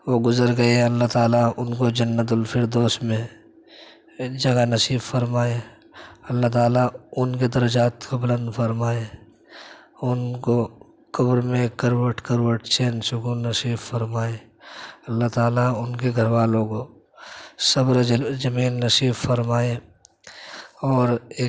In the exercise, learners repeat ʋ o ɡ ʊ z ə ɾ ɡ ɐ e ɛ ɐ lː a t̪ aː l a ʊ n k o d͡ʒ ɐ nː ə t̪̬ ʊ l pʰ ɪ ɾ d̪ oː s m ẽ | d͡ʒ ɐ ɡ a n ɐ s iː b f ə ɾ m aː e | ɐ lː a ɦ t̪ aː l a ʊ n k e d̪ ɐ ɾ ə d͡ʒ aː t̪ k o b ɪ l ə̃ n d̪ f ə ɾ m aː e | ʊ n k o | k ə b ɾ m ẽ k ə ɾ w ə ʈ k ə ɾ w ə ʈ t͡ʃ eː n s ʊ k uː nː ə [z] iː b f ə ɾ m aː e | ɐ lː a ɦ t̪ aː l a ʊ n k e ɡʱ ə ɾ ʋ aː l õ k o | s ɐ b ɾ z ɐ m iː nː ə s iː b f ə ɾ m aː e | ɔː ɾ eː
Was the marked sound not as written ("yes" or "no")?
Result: yes